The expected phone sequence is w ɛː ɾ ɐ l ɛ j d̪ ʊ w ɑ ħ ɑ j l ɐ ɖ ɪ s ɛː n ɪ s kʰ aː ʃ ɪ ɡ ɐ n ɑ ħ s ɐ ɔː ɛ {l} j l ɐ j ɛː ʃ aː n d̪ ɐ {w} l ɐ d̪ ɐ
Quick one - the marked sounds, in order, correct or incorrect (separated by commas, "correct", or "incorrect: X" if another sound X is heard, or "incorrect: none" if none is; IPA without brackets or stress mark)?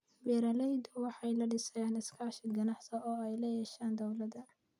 incorrect: none, correct